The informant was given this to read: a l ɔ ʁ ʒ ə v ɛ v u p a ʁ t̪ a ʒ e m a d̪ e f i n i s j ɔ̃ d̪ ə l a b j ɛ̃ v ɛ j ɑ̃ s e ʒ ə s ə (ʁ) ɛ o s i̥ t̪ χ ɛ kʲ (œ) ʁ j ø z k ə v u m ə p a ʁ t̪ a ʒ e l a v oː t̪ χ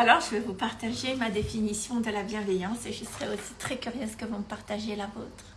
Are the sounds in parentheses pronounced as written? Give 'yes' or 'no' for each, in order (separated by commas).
yes, no